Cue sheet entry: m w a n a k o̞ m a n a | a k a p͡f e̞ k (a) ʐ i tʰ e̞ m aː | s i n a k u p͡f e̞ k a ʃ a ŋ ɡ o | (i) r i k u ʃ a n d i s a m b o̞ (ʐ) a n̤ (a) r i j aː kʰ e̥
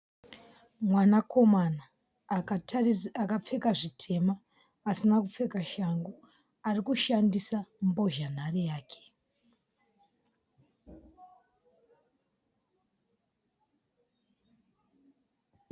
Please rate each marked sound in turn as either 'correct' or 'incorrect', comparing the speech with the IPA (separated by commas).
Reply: correct, incorrect, incorrect, correct